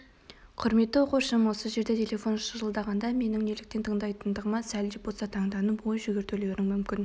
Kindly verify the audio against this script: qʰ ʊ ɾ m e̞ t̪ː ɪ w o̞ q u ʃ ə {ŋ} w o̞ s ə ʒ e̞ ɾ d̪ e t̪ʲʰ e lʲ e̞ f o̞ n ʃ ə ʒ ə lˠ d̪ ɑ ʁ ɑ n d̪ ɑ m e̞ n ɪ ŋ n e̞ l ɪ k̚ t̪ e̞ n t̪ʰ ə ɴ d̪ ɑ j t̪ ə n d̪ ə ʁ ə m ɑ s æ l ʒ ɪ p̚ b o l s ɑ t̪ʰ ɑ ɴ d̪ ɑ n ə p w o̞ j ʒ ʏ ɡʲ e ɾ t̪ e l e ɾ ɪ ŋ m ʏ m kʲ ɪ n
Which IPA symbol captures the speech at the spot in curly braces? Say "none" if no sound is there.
m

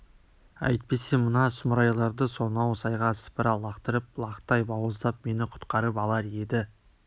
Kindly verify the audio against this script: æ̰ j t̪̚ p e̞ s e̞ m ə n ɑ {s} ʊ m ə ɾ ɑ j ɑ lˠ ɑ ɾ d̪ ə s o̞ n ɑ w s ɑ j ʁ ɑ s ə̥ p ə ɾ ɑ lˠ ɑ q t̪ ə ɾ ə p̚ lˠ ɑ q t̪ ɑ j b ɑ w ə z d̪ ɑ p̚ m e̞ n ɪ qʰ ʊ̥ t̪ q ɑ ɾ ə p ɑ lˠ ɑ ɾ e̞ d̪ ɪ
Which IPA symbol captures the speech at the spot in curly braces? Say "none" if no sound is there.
s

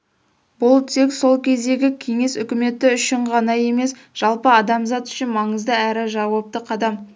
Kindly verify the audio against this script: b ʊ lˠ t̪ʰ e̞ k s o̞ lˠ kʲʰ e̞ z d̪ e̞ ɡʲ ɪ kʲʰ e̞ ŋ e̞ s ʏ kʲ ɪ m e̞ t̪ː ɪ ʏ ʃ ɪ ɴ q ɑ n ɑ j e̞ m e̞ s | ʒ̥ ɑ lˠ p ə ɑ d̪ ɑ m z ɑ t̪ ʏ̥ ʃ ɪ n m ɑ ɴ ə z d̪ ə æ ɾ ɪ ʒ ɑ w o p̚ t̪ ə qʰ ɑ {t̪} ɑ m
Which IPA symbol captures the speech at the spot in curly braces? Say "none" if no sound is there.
d̪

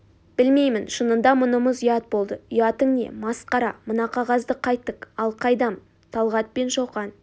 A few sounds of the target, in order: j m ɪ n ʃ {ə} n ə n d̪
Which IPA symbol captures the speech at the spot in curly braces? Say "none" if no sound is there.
ə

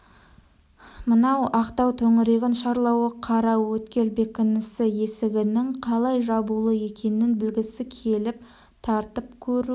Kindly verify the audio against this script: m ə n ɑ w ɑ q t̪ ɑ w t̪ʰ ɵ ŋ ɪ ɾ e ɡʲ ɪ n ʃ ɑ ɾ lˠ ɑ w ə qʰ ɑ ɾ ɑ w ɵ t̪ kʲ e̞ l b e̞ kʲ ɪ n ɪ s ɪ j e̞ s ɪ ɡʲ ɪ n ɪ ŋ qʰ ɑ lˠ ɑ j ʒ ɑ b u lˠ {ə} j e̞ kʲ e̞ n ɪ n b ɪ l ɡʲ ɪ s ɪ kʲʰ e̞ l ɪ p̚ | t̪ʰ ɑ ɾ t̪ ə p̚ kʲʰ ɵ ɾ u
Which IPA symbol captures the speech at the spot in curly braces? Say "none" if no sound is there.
ə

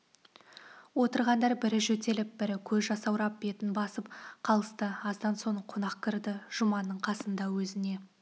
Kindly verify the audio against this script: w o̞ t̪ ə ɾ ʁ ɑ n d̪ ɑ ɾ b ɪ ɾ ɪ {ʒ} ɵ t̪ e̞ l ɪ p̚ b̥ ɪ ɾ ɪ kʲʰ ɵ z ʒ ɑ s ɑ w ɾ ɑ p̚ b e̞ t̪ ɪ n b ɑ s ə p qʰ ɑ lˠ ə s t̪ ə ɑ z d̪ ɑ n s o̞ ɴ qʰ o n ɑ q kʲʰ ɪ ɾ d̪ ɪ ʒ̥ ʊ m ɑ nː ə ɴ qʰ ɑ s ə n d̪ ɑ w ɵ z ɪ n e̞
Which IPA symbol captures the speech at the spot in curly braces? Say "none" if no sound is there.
ʒ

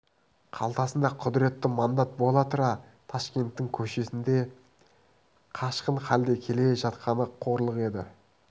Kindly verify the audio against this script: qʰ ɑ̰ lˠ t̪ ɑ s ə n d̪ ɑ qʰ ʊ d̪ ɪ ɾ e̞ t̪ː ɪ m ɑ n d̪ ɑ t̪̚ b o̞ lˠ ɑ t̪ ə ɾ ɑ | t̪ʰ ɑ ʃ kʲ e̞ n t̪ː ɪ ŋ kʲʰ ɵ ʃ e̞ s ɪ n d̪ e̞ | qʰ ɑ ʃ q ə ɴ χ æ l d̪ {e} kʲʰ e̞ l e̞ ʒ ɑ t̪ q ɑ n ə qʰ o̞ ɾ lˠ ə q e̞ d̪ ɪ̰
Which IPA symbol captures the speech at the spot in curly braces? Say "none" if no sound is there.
e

